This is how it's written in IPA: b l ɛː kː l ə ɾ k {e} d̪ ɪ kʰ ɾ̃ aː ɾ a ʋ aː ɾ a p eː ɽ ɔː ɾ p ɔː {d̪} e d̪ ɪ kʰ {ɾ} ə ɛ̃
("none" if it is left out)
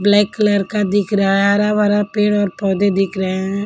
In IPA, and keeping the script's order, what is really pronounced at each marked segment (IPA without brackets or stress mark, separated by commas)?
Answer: a, d̪, ɾ